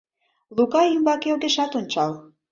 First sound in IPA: l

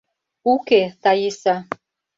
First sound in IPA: u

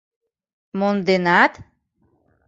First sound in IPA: m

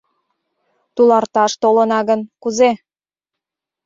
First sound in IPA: t̪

